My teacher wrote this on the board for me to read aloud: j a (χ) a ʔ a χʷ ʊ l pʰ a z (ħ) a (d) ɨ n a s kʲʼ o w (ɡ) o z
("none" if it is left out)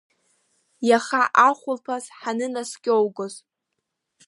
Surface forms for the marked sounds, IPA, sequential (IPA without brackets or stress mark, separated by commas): χ, ħ, n, ɡ